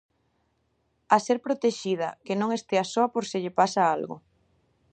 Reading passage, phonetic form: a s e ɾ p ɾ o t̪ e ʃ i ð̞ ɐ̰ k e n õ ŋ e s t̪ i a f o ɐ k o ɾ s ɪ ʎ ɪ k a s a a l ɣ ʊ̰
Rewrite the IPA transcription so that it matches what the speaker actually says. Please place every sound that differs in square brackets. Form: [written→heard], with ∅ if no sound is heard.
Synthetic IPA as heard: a s e ɾ p ɾ o t̪ e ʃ i ð̞ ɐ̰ k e n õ ŋ e s t̪ [i→e] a [f→s] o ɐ [k→p] o ɾ s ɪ ʎ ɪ [k→p] a s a a l ɣ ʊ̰